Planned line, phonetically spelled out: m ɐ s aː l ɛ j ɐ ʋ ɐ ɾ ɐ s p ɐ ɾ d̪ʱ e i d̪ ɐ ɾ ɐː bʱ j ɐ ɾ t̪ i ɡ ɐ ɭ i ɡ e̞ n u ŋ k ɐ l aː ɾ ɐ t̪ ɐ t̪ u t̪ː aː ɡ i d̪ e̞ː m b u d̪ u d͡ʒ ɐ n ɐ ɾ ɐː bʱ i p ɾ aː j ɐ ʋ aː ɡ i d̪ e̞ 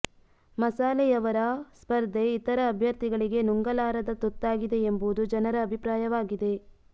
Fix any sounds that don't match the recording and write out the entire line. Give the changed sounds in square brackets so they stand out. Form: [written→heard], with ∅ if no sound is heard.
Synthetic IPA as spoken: m ɐ s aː l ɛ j ɐ ʋ ɐ ɾ ɐ s p ɐ ɾ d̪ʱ e i [d̪→t̪] ɐ ɾ ɐː bʱ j ɐ ɾ t̪ i ɡ ɐ ɭ i ɡ e̞ n u ŋ [k→ɡ] ɐ l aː ɾ ɐ [t̪→d̪] ɐ t̪ u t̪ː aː ɡ i d̪ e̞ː m b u d̪ u d͡ʒ ɐ n ɐ ɾ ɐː bʱ i p ɾ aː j ɐ ʋ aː ɡ i d̪ e̞